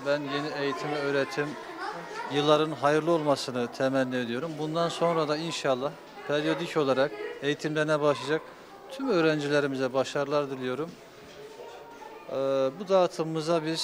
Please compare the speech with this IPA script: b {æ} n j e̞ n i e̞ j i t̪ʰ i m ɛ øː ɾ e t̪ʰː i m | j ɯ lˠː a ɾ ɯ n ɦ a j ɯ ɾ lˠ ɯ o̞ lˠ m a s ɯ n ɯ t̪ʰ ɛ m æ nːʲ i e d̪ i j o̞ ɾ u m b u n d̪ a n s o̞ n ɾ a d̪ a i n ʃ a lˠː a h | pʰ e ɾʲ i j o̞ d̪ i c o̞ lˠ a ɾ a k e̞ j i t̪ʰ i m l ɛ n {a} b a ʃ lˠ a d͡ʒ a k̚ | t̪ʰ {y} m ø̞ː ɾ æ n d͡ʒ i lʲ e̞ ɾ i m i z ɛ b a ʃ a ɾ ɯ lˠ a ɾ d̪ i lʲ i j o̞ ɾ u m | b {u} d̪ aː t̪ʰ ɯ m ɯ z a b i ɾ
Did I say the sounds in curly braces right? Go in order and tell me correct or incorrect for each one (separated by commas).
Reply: correct, incorrect, correct, correct